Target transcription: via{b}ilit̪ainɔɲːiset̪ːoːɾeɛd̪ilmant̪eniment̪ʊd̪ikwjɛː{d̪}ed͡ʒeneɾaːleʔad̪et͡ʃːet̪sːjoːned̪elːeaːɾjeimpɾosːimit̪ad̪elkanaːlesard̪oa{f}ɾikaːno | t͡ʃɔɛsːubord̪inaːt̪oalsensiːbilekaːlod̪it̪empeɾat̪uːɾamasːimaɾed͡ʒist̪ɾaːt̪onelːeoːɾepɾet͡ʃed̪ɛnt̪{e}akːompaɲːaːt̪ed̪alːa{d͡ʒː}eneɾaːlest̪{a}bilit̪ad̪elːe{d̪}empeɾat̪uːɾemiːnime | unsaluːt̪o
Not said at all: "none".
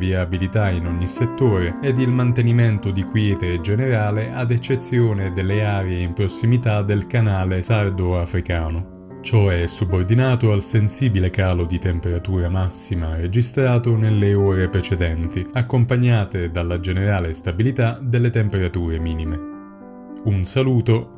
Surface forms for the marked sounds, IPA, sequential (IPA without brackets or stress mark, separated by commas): b, t̪, f, i, d͡ʒ, a, t̪